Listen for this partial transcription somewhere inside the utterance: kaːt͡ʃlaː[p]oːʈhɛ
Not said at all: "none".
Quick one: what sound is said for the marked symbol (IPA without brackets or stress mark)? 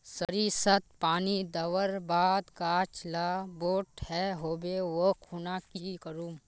b